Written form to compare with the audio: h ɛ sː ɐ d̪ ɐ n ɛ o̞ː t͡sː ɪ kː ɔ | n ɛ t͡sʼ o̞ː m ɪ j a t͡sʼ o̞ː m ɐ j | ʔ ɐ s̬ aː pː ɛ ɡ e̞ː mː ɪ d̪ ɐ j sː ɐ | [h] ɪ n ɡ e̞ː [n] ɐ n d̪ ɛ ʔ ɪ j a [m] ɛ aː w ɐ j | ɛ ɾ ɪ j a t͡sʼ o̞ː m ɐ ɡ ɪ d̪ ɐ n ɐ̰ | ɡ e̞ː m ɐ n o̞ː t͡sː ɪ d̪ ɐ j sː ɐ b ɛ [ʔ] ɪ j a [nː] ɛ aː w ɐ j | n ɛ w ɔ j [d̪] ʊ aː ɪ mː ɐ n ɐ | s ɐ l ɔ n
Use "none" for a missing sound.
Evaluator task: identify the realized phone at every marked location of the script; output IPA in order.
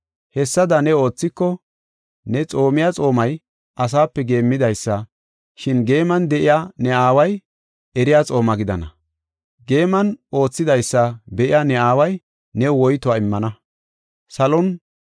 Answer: ʃ, m, n, ʔ, n, t̪

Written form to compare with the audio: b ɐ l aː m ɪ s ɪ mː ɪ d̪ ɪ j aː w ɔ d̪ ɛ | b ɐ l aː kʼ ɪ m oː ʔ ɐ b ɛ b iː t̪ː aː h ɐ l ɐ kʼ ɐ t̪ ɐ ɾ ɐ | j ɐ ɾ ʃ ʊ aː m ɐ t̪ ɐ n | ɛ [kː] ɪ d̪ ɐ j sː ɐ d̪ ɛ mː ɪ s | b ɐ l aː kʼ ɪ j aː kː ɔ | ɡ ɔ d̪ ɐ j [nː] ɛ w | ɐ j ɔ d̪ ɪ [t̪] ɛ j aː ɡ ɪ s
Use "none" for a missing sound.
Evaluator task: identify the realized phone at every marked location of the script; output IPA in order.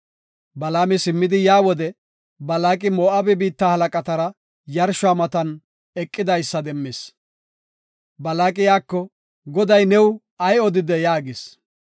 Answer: kʼː, n, d̪

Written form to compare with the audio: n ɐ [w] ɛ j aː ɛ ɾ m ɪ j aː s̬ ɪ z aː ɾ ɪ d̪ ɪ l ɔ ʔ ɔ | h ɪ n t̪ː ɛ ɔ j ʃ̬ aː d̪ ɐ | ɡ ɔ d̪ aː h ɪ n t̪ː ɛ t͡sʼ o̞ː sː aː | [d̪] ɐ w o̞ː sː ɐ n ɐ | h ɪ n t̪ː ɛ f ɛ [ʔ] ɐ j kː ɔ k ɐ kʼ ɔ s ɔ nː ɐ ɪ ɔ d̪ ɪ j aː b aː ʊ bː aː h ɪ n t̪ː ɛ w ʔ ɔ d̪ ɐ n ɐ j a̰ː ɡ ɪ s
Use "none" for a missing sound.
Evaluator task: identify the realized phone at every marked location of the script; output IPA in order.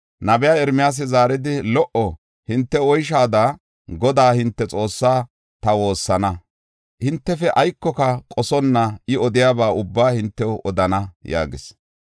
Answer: b, t̪, ʔ

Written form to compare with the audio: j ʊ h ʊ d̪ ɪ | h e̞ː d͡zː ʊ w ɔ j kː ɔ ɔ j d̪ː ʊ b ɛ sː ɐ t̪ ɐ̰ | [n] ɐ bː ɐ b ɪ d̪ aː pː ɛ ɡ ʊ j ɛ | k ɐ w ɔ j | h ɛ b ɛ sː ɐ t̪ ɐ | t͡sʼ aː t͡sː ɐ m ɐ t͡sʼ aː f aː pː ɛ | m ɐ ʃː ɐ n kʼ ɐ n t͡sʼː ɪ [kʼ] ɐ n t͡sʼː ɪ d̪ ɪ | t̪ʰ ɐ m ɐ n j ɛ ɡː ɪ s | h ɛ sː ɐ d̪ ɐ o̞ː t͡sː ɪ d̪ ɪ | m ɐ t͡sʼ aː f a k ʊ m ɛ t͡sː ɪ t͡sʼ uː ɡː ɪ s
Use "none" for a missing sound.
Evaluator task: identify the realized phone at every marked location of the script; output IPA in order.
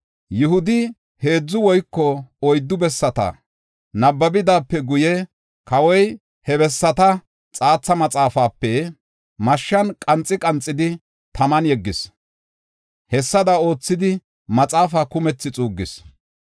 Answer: n, kʼ

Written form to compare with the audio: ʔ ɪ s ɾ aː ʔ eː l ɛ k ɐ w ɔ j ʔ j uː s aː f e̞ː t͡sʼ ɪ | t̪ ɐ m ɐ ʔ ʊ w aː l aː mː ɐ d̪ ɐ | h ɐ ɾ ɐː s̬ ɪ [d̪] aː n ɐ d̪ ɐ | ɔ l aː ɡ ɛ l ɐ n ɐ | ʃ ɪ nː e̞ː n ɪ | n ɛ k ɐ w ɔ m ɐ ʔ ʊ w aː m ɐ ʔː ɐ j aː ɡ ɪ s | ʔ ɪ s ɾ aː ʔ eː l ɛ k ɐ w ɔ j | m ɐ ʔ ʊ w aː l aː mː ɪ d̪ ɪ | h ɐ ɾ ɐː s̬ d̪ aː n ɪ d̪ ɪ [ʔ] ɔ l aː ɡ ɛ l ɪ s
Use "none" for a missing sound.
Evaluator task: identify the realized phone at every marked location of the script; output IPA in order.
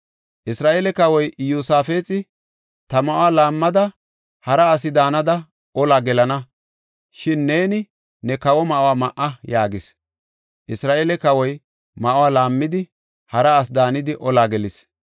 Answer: d̪, ʔ

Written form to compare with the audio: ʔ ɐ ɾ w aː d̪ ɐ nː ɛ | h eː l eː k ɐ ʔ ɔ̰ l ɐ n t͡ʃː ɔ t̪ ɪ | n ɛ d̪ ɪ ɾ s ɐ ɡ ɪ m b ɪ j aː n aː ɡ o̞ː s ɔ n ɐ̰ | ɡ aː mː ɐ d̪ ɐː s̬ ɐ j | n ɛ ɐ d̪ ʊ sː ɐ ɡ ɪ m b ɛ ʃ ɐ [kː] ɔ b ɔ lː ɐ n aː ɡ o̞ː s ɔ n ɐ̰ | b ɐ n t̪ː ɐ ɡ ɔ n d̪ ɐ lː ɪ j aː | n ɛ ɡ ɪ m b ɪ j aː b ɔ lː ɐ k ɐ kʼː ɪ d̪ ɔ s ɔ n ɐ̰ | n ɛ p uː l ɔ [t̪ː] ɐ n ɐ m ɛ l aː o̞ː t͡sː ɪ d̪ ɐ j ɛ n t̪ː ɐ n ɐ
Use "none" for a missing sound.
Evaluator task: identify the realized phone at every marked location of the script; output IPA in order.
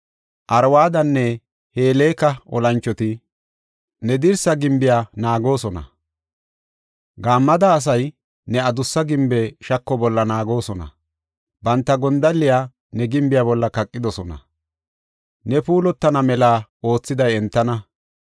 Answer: kː, t̪ː

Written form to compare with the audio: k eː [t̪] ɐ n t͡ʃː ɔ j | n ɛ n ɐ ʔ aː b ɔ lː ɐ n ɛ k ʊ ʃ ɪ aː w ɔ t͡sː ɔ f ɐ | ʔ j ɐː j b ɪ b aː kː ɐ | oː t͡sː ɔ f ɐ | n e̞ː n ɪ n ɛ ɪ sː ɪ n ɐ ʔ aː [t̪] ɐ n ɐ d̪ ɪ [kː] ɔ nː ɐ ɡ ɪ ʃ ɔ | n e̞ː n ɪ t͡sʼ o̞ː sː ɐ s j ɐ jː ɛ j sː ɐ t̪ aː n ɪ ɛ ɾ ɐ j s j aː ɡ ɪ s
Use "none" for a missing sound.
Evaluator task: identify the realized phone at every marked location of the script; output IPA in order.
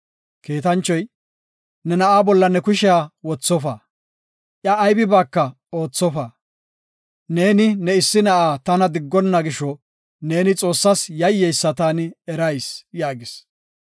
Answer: t̪, t̪, ɡː

